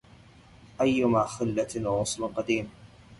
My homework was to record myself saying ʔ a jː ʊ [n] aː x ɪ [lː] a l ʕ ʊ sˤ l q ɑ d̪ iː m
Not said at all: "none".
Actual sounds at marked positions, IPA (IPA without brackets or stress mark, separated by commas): m, lː